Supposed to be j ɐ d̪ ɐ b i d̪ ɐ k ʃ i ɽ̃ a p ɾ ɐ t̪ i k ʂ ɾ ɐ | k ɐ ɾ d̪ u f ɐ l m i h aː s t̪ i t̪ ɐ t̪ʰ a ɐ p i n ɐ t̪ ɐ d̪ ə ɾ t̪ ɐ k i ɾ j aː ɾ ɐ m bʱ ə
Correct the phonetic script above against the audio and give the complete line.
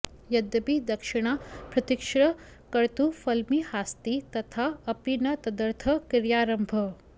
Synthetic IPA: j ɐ d̪ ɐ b i d̪ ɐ k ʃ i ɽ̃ a p ɾ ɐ t̪ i k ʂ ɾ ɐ | k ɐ ɾ t̪ u f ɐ l m i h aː s t̪ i t̪ ɐ t̪ʰ a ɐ p i n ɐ t̪ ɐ d̪ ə ɾ t̪ʰ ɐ k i ɾ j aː ɾ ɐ m bʱ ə

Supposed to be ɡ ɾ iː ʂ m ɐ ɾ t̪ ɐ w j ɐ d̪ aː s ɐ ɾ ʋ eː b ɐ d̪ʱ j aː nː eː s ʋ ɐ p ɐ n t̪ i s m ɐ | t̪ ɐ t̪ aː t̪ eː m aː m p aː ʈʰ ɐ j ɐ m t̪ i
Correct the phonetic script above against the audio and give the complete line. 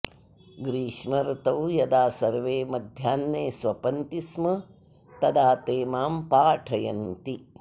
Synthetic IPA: ɡ ɾ iː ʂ m ɐ ɾ t̪ ɐ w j ɐ d̪ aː s ɐ ɾ ʋ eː m ɐ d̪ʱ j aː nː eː s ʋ ɐ p ɐ n t̪ i s m ɐ | t̪ ɐ d̪ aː t̪ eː m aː m p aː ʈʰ ɐ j ɐ n t̪ i

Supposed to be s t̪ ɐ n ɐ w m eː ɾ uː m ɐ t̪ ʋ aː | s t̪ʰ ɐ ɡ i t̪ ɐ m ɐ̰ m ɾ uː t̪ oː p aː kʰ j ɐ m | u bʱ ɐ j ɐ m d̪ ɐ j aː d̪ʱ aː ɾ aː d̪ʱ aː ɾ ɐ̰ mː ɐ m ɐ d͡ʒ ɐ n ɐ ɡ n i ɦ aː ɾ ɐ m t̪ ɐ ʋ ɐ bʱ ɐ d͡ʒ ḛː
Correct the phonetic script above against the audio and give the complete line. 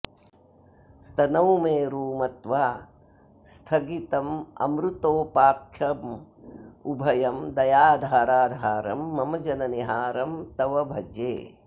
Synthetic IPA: s t̪ ɐ n ɐ w m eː ɾ uː m ɐ t̪ ʋ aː | s t̪ʰ ɐ ɡ i t̪ ɐ m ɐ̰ m ɾ u t̪ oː p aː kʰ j ɐ m | u bʱ ɐ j ɐ m d̪ ɐ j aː d̪ʱ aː ɾ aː d̪ʱ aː ɾ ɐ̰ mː ɐ m ɐ d͡ʒ ɐ n ɐ n i ɦ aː ɾ ɐ m t̪ ɐ ʋ ɐ bʱ ɐ d͡ʒ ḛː

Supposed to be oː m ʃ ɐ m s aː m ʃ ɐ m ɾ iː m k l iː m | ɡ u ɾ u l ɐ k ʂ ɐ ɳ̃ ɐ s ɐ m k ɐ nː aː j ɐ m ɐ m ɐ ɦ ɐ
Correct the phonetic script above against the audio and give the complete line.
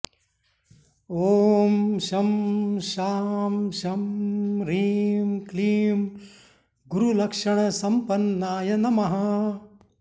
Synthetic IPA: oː m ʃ ɐ m ʃ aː m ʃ ɐ m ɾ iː m k l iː m | ɡ u ɾ u l ɐ k ʂ ɐ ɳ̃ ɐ s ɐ m p ɐ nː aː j ɐ n ɐ m ɐ ɦ ɐ

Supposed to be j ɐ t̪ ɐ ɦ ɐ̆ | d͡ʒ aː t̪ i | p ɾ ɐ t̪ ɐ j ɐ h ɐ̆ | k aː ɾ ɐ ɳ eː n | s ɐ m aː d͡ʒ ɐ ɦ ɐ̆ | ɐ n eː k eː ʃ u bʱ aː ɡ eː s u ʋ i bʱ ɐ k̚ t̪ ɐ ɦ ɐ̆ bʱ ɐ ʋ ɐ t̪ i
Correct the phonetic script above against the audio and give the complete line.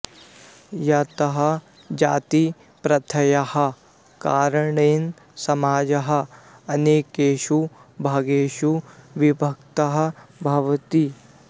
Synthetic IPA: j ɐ t̪ ɐ ɦ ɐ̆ | d͡ʒ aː t̪ i | p ɾ ɐ t̪ʰ ɐ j ɐ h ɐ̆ | k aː ɾ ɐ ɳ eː n | s ɐ m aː d͡ʒ ɐ ɦ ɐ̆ | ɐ n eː k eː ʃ u bʱ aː ɡ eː ʃ u ʋ i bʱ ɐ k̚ t̪ ɐ ɦ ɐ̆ bʱ ɐ ʋ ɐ t̪ i

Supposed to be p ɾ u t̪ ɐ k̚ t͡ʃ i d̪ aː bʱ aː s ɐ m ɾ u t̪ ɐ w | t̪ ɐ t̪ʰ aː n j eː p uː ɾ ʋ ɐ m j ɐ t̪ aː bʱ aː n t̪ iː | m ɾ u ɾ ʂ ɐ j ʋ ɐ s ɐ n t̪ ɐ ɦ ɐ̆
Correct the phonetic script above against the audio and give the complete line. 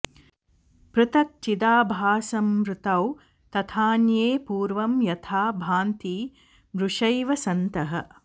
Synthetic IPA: p ɾ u t̪ ɐ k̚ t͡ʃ i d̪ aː bʱ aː s ɐ m ɾ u t̪ ɐ w | t̪ ɐ t̪ʰ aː n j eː p uː ɾ ʋ ɐ m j ɐ t̪ʰ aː bʱ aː n t̪ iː | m ɾ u ʂ ɐ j ʋ ɐ s ɐ n t̪ ɐ ɦ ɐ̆

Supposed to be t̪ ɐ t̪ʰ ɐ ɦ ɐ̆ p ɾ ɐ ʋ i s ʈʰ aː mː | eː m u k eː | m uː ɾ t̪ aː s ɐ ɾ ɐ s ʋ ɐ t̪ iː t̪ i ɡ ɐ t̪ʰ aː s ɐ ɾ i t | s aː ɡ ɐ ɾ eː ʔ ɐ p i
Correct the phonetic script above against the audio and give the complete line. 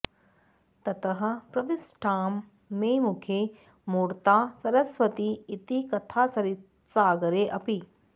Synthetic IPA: t̪ ɐ t̪ ɐ ɦ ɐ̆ p ɾ ɐ ʋ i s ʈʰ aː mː | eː m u kʰ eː | m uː ɾ t̪ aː s ɐ ɾ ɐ s ʋ ɐ t̪ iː t̪ i k ɐ t̪ʰ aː s ɐ ɾ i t | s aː ɡ ɐ ɾ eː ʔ ɐ p i

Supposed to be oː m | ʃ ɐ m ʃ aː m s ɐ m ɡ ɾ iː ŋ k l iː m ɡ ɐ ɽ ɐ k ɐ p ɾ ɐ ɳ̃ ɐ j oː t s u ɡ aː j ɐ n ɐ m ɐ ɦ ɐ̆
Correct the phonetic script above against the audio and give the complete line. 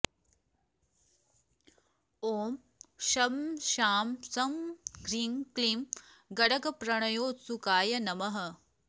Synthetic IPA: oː m | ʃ ɐ m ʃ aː m s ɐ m ɡ ɾ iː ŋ k l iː m ɡ ɐ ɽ ɐ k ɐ p ɾ ɐ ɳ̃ ɐ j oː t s u k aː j ɐ n ɐ m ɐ ɦ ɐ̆

